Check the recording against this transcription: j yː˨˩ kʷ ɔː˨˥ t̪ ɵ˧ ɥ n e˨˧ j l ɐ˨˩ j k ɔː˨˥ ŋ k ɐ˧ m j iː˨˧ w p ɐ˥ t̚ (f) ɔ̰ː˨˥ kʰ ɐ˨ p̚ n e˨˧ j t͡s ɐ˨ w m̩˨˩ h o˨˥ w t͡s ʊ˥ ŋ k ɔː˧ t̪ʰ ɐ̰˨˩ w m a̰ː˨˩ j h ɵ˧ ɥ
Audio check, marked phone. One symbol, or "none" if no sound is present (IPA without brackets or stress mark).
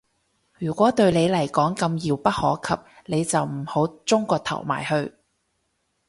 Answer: h